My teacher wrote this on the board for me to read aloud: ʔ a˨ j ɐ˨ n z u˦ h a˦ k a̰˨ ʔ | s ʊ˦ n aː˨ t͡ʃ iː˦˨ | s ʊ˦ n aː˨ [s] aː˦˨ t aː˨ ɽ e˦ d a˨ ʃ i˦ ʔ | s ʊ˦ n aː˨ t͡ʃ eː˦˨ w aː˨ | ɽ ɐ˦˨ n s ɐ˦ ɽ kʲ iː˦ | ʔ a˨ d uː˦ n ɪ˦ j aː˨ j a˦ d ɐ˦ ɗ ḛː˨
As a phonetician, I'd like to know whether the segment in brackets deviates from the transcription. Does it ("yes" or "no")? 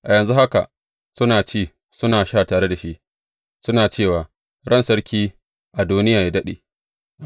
yes